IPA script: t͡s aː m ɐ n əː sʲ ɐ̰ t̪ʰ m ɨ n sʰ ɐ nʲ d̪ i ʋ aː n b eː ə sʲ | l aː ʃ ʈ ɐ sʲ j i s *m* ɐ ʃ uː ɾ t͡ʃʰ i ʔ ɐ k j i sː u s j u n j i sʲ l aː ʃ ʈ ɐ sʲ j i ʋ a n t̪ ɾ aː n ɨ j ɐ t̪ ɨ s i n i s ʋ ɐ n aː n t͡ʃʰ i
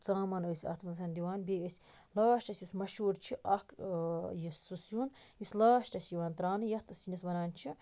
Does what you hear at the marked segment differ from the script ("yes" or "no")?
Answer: no